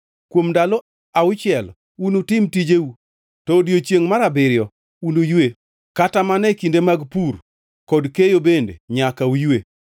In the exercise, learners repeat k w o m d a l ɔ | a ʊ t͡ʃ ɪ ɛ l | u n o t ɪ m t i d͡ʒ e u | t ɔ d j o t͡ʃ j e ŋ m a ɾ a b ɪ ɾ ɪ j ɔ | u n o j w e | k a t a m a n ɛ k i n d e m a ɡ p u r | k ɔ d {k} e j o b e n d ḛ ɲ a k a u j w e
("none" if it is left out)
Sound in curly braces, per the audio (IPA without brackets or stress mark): k